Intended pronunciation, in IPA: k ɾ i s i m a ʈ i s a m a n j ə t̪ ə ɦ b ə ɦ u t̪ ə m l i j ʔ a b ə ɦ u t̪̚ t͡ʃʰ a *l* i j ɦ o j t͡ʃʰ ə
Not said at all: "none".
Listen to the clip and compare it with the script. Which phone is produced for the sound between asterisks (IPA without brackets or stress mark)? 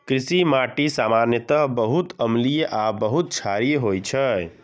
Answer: ɾ